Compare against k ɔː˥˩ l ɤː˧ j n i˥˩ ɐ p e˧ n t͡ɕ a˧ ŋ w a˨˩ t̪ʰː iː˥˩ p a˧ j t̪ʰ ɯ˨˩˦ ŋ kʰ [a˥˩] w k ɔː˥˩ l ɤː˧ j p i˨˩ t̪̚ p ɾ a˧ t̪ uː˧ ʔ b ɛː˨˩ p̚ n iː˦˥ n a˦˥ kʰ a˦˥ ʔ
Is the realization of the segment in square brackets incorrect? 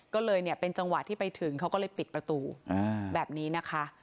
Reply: yes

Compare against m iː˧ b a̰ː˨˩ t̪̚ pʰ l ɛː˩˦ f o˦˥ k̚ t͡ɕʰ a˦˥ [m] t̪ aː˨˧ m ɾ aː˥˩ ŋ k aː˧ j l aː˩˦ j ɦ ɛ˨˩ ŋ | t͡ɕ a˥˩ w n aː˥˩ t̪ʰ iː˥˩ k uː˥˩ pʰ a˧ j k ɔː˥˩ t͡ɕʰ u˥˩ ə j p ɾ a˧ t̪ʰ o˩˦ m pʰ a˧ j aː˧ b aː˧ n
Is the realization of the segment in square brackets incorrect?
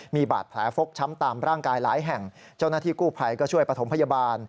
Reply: no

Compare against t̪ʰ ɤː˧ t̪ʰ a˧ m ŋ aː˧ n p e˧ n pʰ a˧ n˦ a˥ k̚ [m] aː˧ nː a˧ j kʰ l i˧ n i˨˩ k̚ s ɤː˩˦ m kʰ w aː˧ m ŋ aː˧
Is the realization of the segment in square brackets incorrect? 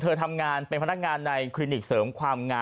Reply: yes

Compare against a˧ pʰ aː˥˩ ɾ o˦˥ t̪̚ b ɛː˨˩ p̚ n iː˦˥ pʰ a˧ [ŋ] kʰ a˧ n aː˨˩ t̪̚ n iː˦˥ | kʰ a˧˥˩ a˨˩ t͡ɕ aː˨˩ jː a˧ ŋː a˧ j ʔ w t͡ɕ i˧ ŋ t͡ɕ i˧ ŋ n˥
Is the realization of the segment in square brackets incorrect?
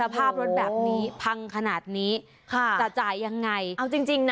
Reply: no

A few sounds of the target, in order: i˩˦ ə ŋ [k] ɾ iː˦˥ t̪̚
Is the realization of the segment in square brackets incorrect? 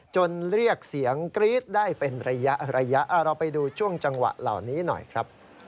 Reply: no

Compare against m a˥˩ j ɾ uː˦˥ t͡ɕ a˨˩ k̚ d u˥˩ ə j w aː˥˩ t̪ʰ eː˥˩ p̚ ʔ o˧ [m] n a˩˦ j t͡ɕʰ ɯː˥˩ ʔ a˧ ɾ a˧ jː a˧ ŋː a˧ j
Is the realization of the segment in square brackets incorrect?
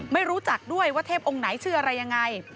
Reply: yes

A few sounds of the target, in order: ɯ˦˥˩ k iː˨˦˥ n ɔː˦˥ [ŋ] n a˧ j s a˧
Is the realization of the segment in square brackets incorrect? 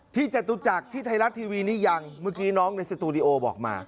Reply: no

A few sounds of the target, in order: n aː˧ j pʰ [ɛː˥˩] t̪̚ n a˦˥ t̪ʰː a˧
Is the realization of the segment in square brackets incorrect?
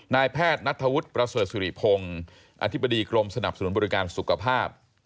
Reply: no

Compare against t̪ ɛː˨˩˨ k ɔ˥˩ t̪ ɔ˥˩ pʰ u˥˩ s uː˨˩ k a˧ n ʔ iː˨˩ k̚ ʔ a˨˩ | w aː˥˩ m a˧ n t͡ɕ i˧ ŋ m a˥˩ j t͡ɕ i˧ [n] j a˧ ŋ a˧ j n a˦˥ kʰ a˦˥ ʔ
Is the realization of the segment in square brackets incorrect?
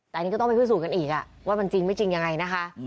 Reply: yes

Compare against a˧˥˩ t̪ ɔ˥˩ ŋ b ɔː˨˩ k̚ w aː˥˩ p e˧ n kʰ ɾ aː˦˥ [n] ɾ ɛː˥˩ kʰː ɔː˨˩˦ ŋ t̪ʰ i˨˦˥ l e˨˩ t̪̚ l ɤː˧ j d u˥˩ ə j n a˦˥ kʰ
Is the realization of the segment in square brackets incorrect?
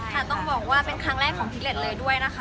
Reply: yes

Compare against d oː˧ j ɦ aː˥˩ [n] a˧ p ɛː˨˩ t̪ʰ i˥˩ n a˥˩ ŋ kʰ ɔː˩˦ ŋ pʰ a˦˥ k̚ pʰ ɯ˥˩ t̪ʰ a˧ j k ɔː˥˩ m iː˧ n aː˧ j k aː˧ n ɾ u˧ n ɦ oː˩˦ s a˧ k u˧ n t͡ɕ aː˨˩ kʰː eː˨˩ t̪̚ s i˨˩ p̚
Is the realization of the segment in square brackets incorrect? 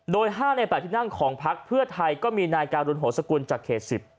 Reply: no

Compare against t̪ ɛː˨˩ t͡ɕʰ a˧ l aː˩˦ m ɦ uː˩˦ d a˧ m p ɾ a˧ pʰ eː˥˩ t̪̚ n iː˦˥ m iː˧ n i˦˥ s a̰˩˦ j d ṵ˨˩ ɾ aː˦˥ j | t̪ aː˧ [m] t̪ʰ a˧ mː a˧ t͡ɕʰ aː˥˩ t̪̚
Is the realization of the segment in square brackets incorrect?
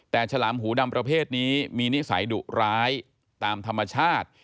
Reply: no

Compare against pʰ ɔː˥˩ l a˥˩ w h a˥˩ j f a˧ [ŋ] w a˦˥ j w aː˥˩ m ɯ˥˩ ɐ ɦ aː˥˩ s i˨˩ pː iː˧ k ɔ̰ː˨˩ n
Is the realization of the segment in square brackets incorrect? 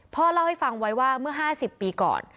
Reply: no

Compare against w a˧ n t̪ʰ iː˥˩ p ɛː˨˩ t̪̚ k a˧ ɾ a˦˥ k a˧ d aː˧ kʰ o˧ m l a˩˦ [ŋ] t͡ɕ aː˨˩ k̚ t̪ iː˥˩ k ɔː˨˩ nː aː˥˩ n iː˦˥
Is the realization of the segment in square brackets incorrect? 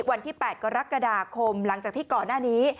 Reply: no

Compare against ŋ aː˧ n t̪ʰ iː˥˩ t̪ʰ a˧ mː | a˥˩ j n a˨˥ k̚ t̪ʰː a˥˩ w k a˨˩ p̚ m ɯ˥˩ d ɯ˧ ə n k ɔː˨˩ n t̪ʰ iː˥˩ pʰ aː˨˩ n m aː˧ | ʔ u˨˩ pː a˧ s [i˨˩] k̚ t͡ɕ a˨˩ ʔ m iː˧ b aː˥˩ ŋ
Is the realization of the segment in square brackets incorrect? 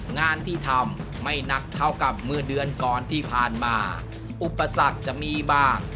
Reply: yes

